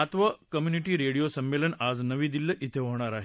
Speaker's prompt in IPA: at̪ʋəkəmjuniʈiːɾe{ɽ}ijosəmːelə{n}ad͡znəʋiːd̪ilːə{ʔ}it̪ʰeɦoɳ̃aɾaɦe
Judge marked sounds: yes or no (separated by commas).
yes, yes, yes